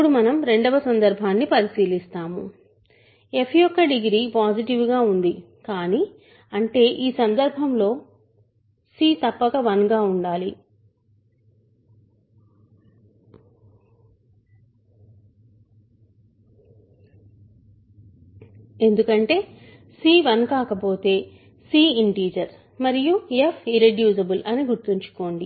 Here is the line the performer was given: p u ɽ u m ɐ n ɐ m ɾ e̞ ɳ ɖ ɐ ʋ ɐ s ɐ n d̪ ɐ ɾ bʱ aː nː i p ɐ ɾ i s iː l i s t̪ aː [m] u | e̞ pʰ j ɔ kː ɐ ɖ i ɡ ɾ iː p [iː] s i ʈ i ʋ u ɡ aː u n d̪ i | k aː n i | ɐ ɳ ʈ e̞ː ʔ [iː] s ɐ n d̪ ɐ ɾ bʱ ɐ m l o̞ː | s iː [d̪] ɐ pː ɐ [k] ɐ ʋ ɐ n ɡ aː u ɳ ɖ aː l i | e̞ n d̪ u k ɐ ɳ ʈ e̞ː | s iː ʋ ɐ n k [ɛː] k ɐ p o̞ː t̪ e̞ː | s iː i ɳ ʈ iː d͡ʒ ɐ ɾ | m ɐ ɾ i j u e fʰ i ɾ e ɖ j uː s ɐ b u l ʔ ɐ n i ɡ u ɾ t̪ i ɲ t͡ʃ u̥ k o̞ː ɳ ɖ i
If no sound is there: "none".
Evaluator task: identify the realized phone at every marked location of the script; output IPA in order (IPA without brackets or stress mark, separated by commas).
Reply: m, aː, iː, t̪, k, aː